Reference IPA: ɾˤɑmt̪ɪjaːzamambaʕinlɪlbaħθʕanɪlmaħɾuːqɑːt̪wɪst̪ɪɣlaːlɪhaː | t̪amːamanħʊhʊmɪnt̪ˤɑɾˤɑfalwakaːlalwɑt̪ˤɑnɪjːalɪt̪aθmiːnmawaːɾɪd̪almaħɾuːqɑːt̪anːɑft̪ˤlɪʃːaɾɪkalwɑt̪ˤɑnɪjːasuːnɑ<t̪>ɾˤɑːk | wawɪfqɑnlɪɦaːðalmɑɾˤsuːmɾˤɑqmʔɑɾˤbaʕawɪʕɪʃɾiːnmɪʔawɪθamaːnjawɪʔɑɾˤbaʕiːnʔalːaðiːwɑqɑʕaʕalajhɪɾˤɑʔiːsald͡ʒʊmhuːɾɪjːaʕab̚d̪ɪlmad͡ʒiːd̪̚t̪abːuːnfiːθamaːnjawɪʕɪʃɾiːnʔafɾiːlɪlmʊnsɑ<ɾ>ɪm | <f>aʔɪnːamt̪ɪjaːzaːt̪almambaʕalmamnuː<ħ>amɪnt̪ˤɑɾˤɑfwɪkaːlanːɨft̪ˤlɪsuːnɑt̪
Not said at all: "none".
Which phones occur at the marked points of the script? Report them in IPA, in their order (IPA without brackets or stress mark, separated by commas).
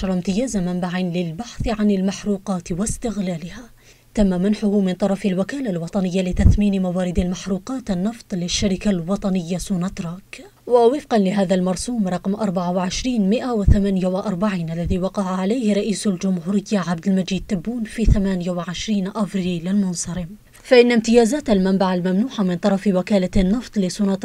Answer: t̪, ɾ, f, ħ